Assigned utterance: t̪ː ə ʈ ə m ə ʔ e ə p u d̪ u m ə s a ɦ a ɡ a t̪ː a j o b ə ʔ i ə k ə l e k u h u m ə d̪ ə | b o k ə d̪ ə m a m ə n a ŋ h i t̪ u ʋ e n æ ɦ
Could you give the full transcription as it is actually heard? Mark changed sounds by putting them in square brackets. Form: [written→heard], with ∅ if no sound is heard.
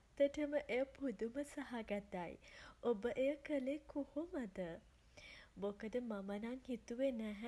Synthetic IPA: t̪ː ə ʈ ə m ə ʔ e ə p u d̪ u m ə s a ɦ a ɡ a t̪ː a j o b ə ʔ [i→e] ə k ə l e k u h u m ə d̪ ə | b o k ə d̪ ə m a m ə n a ŋ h i t̪ u ʋ e n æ ɦ